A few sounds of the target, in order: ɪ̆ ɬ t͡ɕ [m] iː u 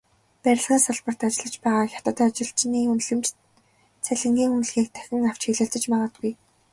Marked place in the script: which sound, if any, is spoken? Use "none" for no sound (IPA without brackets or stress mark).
n